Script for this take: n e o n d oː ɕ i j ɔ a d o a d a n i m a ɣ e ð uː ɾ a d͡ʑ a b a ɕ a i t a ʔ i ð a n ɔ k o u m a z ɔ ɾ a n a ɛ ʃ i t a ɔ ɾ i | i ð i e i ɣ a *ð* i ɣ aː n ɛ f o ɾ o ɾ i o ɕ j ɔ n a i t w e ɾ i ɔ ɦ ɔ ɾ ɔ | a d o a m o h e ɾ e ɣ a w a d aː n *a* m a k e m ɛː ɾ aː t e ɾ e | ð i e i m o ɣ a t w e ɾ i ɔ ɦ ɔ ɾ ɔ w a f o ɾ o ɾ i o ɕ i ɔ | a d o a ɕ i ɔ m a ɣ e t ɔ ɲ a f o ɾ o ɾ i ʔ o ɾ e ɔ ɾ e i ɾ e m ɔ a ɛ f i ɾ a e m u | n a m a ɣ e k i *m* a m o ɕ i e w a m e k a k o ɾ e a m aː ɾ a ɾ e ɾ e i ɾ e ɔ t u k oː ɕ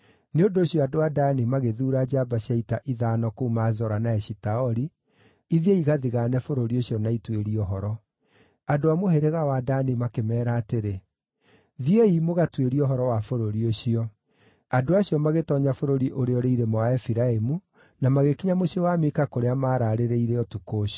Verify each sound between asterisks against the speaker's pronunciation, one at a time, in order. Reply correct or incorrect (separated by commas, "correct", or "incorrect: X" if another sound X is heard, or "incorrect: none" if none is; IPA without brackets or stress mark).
correct, incorrect: i, incorrect: ɲ